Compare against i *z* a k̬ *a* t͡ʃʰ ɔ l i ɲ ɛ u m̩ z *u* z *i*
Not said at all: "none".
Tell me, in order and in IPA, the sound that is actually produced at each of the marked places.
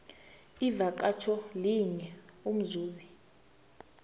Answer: v, a, uː, i

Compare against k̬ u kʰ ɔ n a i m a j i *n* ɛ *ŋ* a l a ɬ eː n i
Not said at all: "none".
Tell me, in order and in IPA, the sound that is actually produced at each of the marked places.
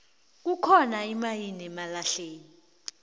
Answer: n, m

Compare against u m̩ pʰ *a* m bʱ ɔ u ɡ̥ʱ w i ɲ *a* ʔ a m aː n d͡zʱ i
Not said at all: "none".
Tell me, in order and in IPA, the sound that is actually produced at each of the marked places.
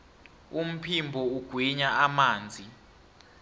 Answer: i, a

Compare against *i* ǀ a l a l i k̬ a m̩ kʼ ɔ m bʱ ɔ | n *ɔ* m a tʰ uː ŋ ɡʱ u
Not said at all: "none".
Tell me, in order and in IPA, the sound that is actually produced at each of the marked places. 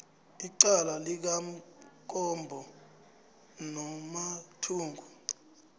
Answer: i, ɔ

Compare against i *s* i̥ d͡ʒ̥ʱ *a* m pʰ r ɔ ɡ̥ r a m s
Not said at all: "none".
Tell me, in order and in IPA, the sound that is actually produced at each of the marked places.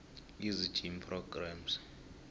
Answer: z, i

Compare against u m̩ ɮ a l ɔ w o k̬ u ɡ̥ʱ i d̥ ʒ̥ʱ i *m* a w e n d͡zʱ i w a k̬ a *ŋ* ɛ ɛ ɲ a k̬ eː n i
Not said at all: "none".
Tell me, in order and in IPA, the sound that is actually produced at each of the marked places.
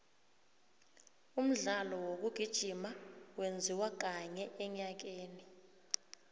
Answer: m, ɲ

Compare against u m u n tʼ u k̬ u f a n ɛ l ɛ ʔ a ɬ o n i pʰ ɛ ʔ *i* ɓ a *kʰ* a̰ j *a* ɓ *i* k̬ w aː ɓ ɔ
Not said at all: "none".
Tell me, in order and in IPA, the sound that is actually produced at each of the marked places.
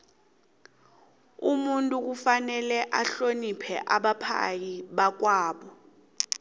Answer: a, pʰ, i, a

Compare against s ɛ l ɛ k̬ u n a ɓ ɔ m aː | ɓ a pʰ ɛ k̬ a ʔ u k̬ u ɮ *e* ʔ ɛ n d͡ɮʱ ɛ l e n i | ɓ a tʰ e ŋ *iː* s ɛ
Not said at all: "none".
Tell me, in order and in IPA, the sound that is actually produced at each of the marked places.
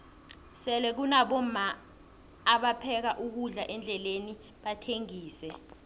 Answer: a, iː

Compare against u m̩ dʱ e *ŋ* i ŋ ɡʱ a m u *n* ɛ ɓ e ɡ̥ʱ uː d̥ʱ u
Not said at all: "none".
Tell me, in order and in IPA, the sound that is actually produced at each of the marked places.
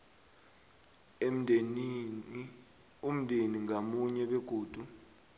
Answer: n, ɲ

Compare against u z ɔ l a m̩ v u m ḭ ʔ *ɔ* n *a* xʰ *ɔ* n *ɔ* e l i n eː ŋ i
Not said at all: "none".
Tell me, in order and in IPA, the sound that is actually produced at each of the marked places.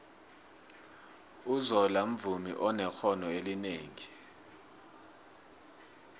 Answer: ɔ, ɛ, ɔ, ɔ

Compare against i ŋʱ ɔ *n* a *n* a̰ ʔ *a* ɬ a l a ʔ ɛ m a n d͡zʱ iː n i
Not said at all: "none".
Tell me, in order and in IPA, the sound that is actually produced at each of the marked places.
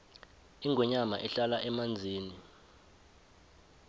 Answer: ɲ, m, ɛ

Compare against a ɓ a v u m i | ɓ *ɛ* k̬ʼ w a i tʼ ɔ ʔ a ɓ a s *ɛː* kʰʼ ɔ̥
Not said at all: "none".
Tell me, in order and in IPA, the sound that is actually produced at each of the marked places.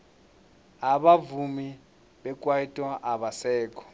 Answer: ɛ, ɛː

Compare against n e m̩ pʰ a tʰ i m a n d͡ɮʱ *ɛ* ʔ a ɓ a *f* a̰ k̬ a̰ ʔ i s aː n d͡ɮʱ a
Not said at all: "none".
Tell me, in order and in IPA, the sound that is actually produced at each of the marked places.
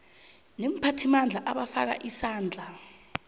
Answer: a, f

